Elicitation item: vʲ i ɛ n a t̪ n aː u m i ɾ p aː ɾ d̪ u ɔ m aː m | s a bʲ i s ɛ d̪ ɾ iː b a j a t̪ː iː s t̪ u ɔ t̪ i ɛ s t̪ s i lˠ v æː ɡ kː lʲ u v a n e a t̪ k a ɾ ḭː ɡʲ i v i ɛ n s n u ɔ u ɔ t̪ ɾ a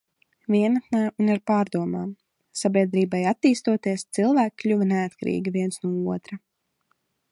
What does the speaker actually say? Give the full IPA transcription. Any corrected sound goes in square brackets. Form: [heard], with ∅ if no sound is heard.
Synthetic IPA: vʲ i ɛ n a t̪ n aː u [n] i ɾ p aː ɾ d̪ u ɔ m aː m | s a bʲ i [∅] ɛ d̪ ɾ iː b a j a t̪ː iː s t̪ u ɔ t̪ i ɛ s t̪ s i lˠ v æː [k] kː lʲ u v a n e a t̪ k a ɾ ḭː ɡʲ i v i ɛ n s n u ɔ u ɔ t̪ ɾ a